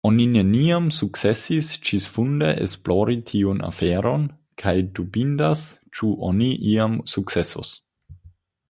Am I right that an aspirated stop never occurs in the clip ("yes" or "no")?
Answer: no